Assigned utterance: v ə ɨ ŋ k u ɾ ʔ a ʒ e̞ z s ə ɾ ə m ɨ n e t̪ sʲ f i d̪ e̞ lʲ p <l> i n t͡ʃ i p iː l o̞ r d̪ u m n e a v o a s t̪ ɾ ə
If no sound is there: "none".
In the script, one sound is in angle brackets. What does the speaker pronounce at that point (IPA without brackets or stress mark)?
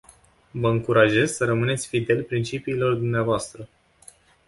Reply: ɾ